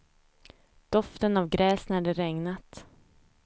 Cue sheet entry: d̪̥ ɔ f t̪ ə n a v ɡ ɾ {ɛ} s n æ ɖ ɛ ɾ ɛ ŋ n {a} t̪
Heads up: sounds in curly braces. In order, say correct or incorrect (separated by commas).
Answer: incorrect, correct